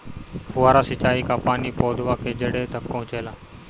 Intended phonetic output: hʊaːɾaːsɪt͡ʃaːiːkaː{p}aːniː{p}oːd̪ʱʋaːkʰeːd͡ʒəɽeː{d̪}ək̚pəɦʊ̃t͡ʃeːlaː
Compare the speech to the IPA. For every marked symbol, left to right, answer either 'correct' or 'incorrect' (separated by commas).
correct, correct, incorrect